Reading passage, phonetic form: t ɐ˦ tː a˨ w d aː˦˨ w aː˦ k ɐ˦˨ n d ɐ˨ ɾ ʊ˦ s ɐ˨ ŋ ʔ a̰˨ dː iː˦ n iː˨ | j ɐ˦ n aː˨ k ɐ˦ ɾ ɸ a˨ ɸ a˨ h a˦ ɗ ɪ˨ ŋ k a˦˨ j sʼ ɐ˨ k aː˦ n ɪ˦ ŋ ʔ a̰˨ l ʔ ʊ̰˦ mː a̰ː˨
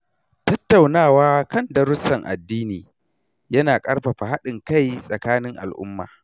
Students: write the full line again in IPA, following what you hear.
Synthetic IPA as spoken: t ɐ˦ tː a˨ w n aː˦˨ w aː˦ k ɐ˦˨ n d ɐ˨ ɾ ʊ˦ s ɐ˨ ŋ ʔ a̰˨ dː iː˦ n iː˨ | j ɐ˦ n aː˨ kʼ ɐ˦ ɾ ɸ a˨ ɸ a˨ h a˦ ɗ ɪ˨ ŋ k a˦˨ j sʼ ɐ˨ k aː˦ n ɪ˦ ŋ ʔ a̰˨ l ʔ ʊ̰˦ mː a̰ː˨